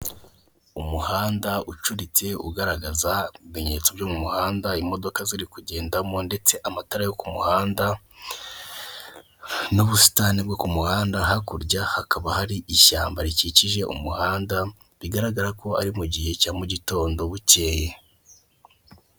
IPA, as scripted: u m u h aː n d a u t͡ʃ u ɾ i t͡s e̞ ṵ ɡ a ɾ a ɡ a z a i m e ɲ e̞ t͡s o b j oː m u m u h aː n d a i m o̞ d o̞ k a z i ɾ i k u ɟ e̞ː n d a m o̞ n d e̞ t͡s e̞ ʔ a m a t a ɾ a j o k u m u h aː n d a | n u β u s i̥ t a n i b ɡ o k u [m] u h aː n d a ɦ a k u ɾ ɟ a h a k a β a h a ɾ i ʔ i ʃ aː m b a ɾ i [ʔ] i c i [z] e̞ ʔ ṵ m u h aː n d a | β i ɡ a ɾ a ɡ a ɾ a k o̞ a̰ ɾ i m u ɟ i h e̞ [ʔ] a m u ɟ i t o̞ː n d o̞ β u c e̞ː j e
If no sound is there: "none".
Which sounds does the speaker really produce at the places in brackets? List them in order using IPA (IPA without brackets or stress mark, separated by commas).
m, c, ʒ, c